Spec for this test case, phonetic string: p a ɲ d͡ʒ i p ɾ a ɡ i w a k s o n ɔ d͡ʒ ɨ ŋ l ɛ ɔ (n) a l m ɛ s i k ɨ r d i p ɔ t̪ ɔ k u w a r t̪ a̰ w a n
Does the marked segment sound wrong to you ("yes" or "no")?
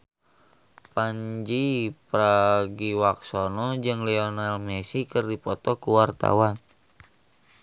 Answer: no